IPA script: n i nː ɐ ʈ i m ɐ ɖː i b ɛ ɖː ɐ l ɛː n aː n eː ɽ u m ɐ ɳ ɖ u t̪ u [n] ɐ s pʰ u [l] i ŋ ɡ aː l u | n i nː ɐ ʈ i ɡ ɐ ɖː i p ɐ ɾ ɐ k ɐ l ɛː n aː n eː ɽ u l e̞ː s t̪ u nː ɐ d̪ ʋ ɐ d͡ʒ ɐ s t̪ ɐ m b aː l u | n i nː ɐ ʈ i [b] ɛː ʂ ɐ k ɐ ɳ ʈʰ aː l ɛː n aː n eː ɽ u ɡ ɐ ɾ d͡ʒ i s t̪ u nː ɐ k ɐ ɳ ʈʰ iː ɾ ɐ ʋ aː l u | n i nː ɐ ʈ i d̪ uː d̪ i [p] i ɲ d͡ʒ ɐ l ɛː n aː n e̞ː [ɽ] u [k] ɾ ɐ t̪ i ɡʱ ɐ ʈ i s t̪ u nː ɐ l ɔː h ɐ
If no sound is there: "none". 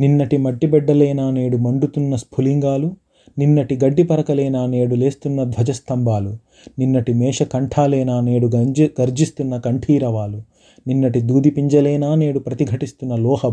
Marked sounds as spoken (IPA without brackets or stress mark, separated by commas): nː, l, m, p, ɽ, p